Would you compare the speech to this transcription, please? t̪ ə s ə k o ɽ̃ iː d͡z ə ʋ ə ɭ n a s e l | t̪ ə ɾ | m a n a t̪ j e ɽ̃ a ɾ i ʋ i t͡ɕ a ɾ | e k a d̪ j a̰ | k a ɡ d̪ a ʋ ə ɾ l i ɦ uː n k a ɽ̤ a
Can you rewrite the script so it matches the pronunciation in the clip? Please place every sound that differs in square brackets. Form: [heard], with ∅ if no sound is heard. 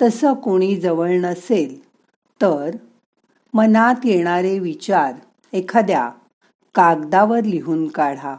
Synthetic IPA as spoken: t̪ ə s ə k o ɽ̃ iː d͡z ə ʋ ə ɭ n [ə] s e l | t̪ ə ɾ | m [ə] n a t̪ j e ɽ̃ a ɾ [e] ʋ i t͡ɕ a ɾ | e [kʰ] a d̪ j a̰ | k a ɡ d̪ a ʋ ə ɾ l i ɦ uː n k a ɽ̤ a